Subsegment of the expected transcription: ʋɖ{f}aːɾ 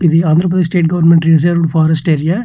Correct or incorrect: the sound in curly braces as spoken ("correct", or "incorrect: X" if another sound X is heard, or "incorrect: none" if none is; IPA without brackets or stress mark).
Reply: correct